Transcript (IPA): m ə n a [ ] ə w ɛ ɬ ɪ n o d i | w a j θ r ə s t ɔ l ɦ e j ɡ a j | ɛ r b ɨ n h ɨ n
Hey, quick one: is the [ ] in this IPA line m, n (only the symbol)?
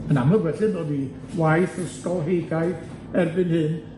m